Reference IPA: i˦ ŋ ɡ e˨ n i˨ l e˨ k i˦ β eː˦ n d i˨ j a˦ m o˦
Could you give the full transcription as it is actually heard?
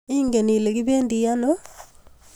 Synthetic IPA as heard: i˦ ŋ ɡ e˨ n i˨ l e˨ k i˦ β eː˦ n d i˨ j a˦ n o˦